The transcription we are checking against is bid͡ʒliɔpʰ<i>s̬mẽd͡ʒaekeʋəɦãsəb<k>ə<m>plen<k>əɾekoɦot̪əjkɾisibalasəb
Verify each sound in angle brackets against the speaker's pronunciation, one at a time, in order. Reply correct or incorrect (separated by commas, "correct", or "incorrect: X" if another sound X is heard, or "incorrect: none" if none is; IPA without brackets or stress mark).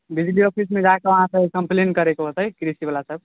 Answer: correct, correct, correct, correct